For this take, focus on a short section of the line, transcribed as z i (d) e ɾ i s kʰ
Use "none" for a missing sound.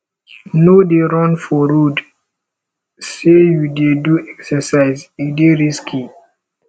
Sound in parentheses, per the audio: d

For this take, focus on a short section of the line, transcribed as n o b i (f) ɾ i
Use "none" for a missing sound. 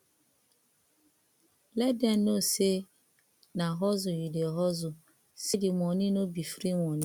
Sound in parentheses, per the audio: f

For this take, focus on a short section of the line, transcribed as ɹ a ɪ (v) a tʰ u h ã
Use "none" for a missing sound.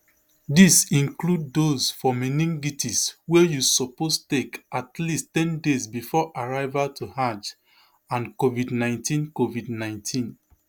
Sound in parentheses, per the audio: v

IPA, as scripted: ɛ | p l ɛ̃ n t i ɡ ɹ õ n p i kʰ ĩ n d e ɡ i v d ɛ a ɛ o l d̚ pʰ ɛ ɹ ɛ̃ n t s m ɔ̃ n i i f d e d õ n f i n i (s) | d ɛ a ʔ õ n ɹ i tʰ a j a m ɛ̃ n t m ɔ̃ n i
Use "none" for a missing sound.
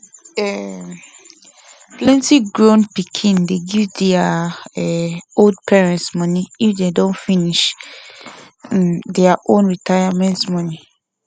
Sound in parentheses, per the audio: ʃ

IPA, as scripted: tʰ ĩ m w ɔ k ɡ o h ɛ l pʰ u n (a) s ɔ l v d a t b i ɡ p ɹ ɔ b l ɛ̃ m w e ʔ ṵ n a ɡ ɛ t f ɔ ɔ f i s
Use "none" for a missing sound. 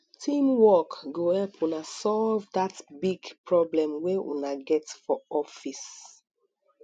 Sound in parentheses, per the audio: a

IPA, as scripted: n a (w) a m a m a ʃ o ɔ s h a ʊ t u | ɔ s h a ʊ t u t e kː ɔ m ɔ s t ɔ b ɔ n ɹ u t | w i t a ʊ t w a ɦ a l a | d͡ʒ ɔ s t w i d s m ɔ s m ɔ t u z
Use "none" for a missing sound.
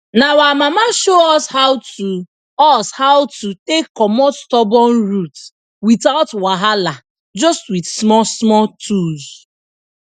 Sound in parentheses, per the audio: w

